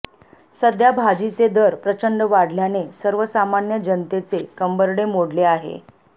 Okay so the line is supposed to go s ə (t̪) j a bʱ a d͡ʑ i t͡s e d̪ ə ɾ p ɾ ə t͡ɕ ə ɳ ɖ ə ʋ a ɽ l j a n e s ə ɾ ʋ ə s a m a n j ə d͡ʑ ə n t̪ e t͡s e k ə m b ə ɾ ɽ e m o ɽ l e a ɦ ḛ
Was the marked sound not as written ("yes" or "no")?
yes